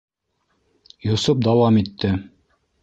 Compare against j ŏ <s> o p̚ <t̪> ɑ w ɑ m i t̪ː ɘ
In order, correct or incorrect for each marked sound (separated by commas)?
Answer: correct, incorrect